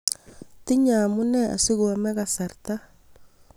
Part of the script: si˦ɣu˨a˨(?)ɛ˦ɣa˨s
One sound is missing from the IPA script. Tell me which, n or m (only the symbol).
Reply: m